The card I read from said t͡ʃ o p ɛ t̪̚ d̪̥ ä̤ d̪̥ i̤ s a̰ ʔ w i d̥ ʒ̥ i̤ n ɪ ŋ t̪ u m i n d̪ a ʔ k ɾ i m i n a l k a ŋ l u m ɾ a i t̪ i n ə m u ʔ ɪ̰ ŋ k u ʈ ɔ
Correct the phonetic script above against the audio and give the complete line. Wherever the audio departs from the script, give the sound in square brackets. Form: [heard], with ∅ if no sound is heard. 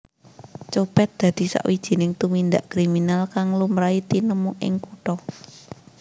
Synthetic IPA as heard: t͡ʃ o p ɛ t̪̚ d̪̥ ä̤ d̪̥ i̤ s a̰ ʔ w i d̥ ʒ̥ i̤ n ɪ ŋ t̪ u m i n d̪ a ʔ k ɾ i m i n a l k a ŋ l u m ɾ a i t̪ i n ə m u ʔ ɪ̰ ŋ k u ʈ ɔ